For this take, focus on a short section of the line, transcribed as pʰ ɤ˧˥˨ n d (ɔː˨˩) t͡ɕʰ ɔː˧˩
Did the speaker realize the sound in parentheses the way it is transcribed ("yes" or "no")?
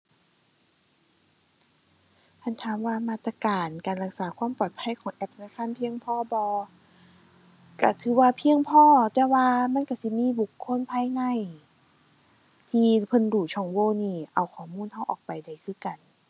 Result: no